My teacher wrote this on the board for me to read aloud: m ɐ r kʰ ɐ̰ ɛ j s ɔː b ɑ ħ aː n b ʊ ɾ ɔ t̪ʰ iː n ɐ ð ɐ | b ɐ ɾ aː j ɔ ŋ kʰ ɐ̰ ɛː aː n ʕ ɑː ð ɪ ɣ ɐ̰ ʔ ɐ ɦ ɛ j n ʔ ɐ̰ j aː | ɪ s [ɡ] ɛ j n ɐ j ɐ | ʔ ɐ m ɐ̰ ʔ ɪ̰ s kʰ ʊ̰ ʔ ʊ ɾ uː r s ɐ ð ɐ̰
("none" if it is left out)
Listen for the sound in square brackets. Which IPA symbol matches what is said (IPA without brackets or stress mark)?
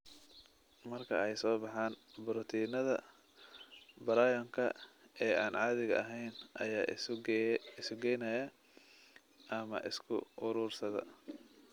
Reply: ɡ